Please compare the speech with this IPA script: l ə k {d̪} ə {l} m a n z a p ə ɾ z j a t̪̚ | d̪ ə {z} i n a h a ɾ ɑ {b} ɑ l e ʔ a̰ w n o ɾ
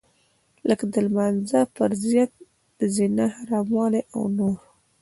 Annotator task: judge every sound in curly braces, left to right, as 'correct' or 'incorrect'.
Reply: correct, correct, correct, incorrect

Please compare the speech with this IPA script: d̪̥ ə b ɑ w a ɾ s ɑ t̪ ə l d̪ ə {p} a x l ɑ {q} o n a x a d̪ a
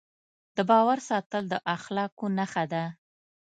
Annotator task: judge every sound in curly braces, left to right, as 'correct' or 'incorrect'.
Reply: incorrect, incorrect

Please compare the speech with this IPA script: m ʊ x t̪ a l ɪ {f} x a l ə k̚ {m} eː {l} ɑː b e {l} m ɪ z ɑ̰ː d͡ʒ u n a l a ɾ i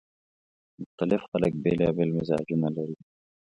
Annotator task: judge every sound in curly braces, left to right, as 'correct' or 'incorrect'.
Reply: correct, incorrect, correct, correct

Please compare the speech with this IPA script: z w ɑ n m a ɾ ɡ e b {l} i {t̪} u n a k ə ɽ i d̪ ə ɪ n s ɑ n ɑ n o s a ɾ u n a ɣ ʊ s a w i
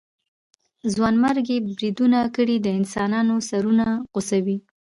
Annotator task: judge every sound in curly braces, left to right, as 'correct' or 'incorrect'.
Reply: incorrect, incorrect

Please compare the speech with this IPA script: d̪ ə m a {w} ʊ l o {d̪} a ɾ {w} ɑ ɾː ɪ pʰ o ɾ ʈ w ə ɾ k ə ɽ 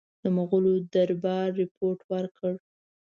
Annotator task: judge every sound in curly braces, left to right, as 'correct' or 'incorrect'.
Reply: incorrect, correct, incorrect

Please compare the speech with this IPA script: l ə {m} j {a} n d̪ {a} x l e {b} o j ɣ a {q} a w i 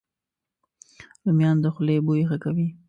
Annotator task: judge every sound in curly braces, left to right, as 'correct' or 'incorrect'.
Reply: correct, incorrect, incorrect, correct, incorrect

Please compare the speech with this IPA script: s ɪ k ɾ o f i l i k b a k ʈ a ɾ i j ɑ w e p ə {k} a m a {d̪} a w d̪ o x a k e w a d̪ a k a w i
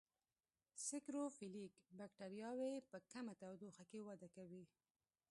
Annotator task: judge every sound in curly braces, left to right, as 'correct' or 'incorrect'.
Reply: correct, incorrect

